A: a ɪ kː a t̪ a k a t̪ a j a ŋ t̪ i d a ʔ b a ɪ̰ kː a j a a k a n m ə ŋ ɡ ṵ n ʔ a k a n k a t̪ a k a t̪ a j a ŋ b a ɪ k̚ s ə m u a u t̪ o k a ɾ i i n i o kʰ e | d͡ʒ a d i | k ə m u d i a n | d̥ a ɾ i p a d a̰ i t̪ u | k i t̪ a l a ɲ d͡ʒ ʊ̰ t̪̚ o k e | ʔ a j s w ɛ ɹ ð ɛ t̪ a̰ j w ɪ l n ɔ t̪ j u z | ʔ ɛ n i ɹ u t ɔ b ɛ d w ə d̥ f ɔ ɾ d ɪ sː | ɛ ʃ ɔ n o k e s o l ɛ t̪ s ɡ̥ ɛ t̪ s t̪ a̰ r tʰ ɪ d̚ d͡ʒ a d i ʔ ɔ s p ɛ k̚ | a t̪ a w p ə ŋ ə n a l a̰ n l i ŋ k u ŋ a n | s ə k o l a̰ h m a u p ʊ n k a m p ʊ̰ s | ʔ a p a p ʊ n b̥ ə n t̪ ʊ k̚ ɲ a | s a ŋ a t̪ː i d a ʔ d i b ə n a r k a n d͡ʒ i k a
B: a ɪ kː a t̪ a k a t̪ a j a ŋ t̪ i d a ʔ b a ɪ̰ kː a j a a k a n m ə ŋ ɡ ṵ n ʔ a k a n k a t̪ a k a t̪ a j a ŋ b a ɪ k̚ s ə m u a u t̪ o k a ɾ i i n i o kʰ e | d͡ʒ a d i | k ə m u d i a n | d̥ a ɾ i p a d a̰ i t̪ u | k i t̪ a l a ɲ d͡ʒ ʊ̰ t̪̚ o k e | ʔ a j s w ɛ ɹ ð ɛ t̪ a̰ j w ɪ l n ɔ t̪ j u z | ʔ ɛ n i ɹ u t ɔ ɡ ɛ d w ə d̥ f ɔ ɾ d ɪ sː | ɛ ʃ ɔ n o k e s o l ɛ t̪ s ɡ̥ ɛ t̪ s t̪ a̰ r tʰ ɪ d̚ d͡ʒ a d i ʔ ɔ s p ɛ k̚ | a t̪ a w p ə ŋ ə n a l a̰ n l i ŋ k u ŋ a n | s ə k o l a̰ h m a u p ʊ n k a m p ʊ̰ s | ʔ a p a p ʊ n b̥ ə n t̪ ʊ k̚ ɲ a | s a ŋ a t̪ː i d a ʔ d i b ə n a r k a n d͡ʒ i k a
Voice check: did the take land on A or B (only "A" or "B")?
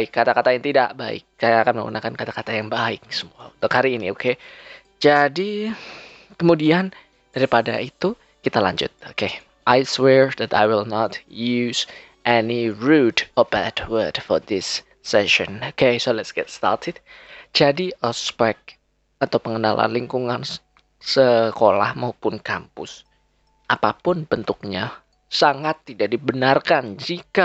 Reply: A